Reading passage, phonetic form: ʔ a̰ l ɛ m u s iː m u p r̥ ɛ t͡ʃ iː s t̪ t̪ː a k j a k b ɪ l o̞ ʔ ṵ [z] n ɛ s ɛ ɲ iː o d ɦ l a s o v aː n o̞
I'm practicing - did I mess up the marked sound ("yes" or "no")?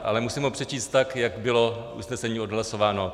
yes